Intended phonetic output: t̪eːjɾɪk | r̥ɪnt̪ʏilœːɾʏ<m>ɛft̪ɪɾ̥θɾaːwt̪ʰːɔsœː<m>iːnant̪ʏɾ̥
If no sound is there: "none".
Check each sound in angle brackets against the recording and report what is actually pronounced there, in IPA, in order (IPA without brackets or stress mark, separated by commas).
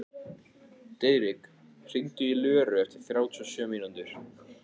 none, m